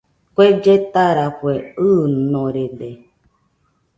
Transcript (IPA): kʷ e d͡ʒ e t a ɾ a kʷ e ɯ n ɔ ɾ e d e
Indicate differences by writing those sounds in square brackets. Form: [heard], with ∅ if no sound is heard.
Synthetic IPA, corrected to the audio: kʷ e d͡ʒ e t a ɾ a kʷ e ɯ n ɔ ɾ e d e